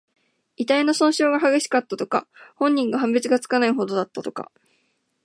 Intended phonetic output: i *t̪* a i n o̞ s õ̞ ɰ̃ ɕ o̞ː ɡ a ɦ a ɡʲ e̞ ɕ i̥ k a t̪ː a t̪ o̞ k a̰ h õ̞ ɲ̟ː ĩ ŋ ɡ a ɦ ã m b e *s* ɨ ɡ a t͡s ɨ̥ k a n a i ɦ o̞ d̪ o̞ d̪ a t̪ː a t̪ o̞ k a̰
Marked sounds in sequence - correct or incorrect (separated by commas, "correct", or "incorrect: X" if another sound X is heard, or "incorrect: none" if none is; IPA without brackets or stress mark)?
correct, incorrect: t͡s